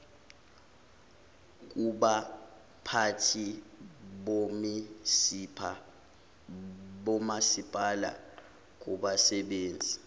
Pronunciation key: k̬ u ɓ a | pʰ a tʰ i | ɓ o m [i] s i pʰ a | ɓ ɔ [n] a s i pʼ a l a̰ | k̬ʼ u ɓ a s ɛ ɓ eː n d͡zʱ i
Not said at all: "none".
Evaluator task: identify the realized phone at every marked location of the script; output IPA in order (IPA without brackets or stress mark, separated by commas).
i, m